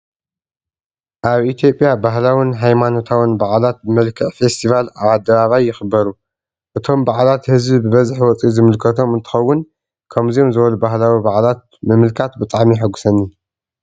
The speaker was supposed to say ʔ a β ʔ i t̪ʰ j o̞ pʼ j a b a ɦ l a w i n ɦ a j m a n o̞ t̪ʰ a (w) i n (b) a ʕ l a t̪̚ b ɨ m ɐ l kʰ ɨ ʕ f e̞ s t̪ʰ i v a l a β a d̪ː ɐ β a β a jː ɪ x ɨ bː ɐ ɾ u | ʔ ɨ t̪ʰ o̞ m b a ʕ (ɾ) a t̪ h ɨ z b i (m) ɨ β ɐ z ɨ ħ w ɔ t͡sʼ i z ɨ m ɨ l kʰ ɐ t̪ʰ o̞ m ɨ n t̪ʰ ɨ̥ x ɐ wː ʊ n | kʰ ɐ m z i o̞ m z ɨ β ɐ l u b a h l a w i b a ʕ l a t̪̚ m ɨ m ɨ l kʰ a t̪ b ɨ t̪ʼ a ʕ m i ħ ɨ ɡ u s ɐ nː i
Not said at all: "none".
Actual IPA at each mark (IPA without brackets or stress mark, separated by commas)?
w, b, l, b